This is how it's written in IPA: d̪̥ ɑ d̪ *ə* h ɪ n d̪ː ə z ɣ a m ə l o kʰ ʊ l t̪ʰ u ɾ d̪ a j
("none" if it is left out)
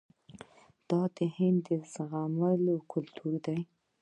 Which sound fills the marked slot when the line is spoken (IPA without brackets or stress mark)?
ə